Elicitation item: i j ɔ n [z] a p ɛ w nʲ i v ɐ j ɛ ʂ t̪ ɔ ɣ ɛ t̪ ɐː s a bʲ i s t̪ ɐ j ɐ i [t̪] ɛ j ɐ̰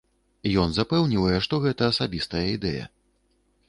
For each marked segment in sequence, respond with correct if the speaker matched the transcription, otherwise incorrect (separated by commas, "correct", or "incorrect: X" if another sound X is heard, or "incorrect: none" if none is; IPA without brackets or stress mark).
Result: correct, incorrect: d̪